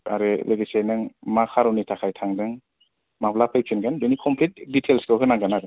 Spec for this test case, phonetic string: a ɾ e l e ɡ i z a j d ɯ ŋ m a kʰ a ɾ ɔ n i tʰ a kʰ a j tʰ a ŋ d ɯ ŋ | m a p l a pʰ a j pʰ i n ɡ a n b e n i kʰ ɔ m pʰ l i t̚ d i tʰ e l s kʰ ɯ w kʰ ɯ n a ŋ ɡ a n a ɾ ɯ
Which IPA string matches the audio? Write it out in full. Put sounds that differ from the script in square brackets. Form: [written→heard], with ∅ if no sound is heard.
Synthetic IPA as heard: a ɾ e l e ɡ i [z→s] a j [d→n] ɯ ŋ m a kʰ a ɾ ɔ n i tʰ a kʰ a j tʰ a ŋ d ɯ ŋ | m a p l a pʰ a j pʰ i n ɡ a n b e n i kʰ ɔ m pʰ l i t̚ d i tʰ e l s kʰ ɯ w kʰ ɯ n a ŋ ɡ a n a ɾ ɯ

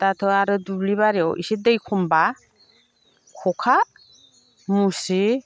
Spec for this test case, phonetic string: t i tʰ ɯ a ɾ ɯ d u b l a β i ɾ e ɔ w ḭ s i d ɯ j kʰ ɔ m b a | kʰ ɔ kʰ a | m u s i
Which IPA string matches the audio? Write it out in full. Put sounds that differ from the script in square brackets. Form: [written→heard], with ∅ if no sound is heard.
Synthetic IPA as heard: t [i→a] tʰ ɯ a ɾ ɯ d u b l [a→i] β [i→a] ɾ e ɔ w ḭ s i d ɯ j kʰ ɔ m b a | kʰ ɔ kʰ a | m u s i

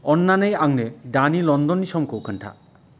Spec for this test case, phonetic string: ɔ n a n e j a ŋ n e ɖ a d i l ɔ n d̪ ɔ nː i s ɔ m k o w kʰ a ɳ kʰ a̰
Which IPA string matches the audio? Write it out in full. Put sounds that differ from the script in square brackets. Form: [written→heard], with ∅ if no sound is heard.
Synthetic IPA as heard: ɔ [n→nː] a n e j a ŋ n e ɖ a [d→n] i l ɔ n d̪ ɔ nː i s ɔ m k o w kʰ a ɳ [kʰ→ʈʰ] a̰

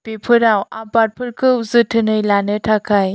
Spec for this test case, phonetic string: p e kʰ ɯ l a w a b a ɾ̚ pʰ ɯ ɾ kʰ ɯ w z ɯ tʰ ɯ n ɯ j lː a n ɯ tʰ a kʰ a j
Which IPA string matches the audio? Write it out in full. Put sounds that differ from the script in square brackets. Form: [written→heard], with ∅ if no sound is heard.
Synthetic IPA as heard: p e [kʰ→pʰ] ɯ [l→ɾ] a w a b a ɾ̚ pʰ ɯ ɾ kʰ ɯ w z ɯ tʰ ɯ n ɯ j [lː→l] a n ɯ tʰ a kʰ a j

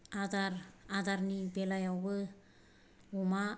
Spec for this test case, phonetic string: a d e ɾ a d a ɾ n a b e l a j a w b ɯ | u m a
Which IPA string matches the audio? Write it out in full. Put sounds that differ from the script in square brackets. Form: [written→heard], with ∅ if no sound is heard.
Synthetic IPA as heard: a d [e→a] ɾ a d a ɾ n [a→i] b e l a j a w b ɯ | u m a

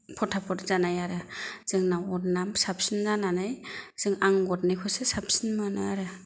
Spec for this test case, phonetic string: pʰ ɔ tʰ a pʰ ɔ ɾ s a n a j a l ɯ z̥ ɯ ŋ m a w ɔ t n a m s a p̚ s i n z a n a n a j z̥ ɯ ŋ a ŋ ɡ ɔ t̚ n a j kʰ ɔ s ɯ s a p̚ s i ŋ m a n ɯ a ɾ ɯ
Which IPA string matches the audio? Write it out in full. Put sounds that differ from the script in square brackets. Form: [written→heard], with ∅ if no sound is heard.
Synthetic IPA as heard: pʰ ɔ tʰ a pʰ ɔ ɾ [s→z] a n a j a [l→ɾ] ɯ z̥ ɯ ŋ [m→n] a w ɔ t n a m s a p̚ s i n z a n a n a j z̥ ɯ ŋ a ŋ ɡ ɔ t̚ n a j kʰ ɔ s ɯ s a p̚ s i [ŋ→n] m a n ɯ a ɾ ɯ

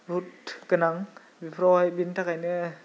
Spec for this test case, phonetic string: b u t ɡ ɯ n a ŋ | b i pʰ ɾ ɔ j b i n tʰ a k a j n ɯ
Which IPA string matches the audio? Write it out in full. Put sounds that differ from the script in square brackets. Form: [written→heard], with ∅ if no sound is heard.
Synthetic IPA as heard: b u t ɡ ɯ n a ŋ | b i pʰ ɾ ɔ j b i n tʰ a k a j n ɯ

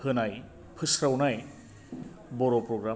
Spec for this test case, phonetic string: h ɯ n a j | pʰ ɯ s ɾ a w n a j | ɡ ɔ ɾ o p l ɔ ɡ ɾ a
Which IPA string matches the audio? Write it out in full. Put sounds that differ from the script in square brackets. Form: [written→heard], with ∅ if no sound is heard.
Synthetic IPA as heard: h ɯ n a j | pʰ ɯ s ɾ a w n a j | [ɡ→b] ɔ ɾ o p [l→ɾ] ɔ ɡ ɾ a

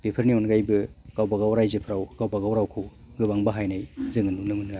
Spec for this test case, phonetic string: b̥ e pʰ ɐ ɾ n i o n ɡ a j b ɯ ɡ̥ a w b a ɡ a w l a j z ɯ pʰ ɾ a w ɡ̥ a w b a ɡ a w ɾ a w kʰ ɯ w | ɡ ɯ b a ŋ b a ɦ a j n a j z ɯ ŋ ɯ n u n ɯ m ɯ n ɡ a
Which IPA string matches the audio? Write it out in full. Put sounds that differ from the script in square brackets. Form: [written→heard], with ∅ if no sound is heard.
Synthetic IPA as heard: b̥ e pʰ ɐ ɾ n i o n ɡ a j b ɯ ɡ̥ a w b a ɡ a w [l→ɾ] a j z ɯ pʰ ɾ a w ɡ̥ a w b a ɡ a w ɾ a w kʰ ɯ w | ɡ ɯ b a ŋ b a ɦ a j n a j z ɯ ŋ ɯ n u n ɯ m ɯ n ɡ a

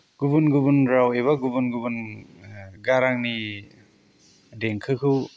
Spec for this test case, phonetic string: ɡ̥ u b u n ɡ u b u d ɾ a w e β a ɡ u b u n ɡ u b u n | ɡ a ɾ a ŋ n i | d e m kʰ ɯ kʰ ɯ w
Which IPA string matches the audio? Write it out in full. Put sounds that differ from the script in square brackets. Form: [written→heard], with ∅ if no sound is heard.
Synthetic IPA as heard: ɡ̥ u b u n ɡ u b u [d→n] ɾ a w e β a ɡ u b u n ɡ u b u n | ɡ a ɾ a ŋ n i | d e [m→ŋ] kʰ ɯ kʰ ɯ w

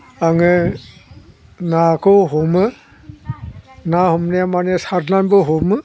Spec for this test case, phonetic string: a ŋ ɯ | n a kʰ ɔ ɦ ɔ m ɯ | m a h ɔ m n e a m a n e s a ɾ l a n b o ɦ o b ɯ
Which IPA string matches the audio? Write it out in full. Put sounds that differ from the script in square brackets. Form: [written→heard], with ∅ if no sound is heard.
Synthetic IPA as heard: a ŋ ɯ | n a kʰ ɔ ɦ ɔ m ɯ | [m→n] a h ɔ m n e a m a n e s a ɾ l a n b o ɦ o [b→m] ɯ

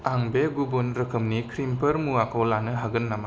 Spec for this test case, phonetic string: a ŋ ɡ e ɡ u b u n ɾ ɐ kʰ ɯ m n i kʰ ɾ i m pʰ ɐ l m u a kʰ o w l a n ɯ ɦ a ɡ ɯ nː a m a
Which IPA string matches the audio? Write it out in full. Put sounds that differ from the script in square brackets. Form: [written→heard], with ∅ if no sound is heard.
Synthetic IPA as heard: a ŋ [ɡ→b] e ɡ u b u n ɾ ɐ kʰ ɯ m n i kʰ ɾ i m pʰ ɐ [l→ɾ] m u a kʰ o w l a n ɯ ɦ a ɡ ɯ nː a m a

